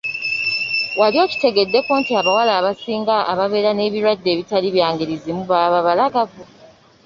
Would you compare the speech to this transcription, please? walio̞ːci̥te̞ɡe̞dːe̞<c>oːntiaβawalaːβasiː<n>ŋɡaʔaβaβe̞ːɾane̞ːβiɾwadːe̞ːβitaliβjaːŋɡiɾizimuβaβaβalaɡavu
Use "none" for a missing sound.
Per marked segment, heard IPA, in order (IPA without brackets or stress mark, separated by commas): k, none